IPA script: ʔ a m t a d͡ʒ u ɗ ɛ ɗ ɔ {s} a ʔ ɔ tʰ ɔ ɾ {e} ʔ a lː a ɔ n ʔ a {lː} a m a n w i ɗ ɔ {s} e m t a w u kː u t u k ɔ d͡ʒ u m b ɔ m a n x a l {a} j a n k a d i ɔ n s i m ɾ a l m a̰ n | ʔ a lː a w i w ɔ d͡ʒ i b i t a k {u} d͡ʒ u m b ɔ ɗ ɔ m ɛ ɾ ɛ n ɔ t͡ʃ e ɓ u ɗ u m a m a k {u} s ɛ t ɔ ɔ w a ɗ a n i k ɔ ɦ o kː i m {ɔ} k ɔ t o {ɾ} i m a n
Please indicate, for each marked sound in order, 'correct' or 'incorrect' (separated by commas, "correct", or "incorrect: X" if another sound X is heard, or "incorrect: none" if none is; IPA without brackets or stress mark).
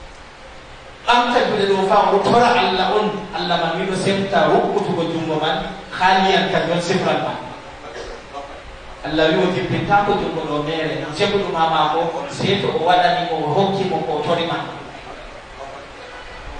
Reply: incorrect: f, incorrect: a, correct, correct, incorrect: i, incorrect: ɔ, incorrect: ɔ, correct, correct